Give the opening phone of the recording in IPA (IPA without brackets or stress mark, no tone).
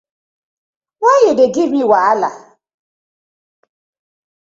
w